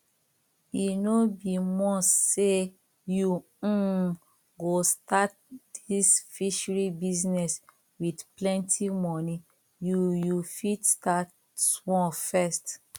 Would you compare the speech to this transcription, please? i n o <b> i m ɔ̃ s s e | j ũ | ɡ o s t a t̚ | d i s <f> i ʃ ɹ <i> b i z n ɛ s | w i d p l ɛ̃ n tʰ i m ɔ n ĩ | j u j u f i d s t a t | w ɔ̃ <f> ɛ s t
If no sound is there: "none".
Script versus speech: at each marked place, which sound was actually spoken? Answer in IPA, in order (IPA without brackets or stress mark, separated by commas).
b, f, i, f